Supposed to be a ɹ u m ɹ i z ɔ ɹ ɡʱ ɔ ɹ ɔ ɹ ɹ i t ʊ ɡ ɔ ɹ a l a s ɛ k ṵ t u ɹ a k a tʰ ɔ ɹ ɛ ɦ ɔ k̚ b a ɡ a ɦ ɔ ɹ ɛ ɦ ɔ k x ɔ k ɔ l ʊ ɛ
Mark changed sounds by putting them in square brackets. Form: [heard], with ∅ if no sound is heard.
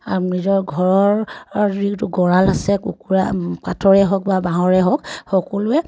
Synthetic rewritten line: a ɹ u m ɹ i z ɔ ɹ ɡʱ ɔ ɹ ɔ ɹ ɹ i t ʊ ɡ ɔ ɹ a l a s ɛ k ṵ [k] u ɹ a k a tʰ ɔ ɹ ɛ ɦ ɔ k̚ b a [b] a ɦ ɔ ɹ ɛ ɦ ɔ k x ɔ k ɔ l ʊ ɛ